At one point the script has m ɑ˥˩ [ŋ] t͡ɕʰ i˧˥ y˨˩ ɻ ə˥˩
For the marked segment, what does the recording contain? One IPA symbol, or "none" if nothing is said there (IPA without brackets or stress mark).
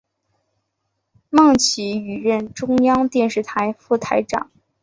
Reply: ŋ